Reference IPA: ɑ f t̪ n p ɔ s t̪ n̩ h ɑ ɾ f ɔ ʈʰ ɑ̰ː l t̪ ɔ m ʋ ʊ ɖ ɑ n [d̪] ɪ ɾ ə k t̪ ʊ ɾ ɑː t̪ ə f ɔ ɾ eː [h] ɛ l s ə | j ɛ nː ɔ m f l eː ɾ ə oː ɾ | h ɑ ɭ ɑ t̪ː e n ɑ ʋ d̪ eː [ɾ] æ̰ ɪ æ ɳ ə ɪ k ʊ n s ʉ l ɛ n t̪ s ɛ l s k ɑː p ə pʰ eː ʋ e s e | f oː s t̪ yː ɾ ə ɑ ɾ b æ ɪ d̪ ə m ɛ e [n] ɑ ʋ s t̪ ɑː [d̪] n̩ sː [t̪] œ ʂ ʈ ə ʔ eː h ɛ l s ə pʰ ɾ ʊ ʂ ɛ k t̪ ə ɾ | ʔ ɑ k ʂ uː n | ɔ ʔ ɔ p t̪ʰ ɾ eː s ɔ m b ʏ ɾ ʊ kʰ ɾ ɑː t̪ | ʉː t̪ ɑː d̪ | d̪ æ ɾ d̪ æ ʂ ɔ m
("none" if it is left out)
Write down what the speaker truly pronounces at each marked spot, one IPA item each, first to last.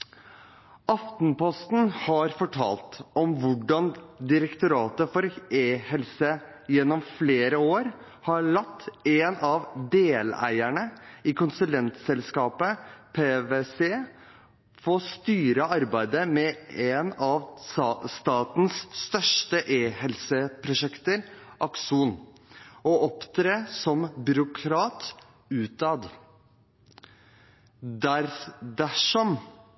d̪, h, l, n, t̪, t̪

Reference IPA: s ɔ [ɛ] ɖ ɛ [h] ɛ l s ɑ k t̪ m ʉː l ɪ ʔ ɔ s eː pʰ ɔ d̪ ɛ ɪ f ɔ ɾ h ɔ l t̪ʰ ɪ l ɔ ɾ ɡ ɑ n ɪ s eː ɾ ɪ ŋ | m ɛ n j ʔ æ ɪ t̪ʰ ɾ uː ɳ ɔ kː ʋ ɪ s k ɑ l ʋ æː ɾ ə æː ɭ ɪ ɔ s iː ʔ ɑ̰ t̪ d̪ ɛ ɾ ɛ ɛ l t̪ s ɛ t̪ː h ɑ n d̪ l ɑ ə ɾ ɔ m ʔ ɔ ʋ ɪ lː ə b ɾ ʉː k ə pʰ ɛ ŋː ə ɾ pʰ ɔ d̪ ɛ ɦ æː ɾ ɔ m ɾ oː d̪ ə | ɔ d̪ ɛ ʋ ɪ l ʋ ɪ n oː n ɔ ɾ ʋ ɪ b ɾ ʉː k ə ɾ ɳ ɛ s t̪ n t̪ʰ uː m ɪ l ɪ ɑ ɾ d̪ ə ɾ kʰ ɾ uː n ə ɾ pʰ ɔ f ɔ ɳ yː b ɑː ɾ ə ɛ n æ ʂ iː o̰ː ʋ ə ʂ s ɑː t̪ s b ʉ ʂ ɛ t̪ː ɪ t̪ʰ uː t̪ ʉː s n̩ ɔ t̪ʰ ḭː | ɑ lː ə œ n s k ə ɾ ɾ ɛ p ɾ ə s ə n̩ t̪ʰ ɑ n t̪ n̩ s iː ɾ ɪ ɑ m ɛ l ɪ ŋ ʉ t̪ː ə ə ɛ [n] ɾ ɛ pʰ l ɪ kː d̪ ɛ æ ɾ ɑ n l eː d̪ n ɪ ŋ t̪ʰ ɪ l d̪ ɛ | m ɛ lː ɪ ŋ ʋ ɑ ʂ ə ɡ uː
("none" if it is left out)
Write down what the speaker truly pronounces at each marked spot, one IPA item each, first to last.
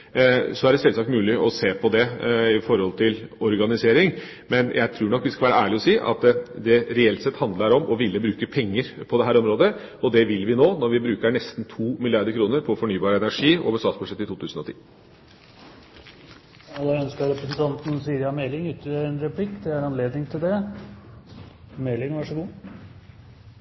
æ, s, n

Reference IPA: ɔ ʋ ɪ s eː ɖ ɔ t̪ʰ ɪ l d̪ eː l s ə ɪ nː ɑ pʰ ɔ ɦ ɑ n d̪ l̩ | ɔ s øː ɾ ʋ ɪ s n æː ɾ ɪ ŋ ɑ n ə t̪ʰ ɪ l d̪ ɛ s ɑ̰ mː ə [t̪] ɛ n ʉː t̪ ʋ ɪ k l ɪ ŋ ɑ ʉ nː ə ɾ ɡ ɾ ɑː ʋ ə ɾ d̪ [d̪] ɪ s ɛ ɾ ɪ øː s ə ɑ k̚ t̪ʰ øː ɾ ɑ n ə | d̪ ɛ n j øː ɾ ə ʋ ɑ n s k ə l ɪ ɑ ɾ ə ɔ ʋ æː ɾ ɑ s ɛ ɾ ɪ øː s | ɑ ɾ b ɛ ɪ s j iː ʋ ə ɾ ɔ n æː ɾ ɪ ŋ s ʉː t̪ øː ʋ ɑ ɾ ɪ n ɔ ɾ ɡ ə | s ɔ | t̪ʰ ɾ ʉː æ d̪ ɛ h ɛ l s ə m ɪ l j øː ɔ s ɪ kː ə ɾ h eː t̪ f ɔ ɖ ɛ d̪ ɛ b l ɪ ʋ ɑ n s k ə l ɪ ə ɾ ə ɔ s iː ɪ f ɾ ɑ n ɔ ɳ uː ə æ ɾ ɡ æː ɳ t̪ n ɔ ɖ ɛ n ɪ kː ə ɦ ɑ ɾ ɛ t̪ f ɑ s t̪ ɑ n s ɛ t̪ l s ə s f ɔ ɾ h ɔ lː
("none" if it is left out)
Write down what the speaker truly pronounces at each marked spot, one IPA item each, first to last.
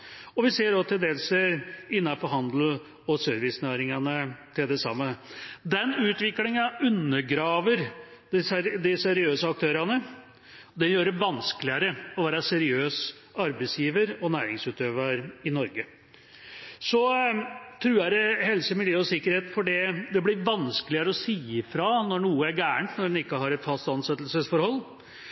d̪, d̪

